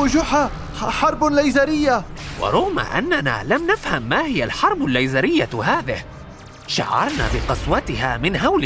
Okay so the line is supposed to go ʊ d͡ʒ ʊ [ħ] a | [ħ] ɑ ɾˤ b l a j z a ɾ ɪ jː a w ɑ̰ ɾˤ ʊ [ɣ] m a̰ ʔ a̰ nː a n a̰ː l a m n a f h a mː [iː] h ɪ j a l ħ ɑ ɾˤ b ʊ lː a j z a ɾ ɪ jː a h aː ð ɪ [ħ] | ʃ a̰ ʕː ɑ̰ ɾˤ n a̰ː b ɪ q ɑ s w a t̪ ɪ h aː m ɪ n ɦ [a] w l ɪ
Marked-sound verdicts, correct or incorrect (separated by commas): correct, correct, correct, incorrect, incorrect, correct